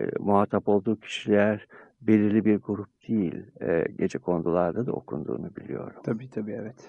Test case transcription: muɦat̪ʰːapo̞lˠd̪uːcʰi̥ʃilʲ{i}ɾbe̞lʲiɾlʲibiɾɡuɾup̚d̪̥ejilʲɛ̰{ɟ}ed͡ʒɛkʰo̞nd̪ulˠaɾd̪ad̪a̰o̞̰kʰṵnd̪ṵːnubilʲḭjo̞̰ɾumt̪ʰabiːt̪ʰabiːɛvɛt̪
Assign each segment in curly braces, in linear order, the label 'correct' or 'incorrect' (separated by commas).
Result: incorrect, correct